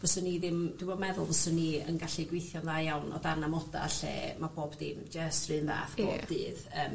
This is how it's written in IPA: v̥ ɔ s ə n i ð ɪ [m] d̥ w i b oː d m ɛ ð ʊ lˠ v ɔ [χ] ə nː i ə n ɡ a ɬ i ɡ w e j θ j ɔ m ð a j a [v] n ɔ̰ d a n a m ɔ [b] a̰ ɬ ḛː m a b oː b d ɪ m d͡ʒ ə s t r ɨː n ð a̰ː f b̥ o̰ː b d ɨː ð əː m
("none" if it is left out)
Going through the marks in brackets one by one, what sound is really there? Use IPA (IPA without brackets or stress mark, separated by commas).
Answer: m, s, w, d